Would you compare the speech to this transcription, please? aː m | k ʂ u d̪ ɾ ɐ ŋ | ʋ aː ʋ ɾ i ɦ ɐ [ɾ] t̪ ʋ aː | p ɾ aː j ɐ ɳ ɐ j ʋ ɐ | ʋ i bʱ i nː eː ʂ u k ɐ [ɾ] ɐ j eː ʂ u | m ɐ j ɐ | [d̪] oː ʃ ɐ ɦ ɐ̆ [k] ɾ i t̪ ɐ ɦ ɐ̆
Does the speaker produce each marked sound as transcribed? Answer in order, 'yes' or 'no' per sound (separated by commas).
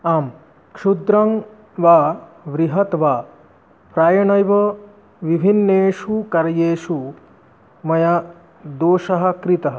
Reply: no, yes, yes, yes